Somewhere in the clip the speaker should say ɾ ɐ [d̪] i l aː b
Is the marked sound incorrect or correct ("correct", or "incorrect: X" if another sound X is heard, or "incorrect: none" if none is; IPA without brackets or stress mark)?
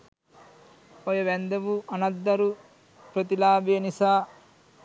incorrect: t̪